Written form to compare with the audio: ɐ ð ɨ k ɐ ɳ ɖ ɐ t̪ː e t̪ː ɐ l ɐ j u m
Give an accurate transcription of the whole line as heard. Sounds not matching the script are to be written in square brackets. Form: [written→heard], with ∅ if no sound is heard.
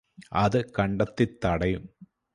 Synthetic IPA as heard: ɐ ð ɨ k ɐ ɳ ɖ ɐ t̪ː [e→i] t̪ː ɐ [l→ɽ] ɐ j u m